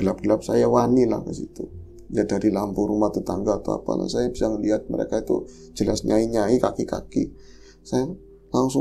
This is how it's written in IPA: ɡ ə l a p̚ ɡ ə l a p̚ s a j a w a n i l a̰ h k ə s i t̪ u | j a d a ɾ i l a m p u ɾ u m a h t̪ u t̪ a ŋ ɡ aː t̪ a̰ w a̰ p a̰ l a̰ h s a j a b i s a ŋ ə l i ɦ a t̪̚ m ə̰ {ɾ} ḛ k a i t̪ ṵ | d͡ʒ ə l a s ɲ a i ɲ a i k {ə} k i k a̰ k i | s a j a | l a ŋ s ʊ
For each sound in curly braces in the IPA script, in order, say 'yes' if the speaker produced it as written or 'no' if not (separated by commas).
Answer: yes, no